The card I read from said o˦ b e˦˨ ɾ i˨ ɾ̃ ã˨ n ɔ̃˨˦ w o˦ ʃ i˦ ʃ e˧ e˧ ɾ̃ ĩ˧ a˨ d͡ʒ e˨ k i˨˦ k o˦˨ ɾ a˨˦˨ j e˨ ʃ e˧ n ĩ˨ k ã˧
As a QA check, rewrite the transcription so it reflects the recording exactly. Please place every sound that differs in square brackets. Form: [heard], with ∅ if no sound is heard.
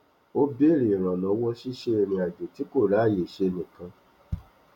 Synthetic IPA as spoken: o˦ b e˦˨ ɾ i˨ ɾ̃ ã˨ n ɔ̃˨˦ w [ɔ˦] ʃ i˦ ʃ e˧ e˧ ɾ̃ ĩ˧ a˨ d͡ʒ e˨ [t] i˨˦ k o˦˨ ɾ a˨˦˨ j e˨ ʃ e˧ n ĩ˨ k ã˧

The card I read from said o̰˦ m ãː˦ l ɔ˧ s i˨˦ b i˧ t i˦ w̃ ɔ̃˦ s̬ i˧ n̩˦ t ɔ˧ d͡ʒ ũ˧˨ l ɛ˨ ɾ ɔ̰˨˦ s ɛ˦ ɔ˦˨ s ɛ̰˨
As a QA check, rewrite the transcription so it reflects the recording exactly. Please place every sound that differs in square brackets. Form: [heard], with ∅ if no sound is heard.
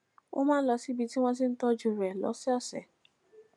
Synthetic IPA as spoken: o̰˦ m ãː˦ l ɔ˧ s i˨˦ b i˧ t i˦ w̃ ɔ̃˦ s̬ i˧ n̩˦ t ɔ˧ d͡ʒ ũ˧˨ [ɾ] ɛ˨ [l] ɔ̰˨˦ s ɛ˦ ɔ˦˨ s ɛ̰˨

